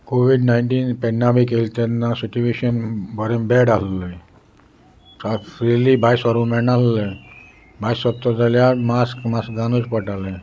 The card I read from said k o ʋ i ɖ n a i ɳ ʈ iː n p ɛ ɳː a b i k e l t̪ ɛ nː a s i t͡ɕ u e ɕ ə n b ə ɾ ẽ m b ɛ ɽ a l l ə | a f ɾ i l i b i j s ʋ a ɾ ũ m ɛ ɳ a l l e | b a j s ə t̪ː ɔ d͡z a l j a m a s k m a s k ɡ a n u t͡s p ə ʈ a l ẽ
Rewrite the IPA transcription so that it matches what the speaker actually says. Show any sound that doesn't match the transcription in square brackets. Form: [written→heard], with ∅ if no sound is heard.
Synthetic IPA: k o ʋ i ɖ n a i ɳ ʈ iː n p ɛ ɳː a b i k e l t̪ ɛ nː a s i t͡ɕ u e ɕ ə n b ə ɾ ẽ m b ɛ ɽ a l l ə | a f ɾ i l i b [i→a] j s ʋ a ɾ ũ m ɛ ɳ a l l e | b a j s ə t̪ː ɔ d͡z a l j a m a s k m a s k ɡ a n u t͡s p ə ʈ a l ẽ